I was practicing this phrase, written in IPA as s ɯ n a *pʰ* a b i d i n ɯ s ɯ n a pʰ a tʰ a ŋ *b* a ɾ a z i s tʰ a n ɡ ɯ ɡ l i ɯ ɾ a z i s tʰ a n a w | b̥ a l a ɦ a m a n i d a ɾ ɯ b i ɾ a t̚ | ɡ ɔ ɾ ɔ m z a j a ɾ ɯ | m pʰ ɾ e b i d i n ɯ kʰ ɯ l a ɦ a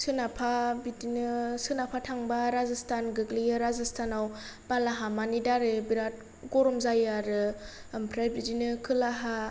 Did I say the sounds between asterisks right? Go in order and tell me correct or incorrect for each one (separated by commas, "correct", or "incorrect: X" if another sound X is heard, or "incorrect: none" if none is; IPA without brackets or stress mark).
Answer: correct, correct